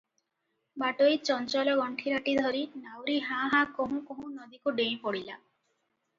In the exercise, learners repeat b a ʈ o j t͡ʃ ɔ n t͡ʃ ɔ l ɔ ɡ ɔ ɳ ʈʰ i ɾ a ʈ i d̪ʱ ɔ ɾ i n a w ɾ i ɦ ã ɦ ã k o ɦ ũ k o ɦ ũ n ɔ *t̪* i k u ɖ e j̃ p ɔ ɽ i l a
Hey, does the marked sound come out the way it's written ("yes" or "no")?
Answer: no